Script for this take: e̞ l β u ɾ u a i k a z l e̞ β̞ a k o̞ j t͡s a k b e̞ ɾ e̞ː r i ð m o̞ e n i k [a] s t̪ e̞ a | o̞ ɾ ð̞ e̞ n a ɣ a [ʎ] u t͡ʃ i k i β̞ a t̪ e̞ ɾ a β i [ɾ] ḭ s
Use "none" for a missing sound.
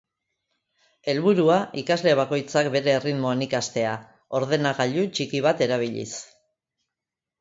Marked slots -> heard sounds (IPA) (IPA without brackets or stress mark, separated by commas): a, ʎ, ʎ